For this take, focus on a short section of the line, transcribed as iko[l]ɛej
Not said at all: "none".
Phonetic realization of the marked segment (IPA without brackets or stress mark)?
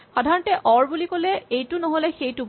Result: l